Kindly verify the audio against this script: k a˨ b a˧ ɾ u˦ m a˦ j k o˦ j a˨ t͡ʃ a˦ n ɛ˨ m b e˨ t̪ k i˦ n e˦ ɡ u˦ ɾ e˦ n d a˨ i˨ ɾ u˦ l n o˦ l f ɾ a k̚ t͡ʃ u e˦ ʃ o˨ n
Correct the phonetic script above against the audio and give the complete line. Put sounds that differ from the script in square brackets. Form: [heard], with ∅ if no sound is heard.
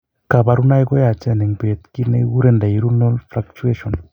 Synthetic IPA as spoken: k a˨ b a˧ ɾ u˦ [n] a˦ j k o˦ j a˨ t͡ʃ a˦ n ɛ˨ [ŋ] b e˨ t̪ k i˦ n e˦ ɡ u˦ ɾ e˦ n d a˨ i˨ ɾ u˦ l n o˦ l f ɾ a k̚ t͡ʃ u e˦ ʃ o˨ n